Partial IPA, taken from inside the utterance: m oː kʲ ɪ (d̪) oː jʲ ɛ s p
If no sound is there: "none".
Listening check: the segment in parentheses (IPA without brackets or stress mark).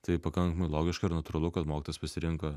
t̪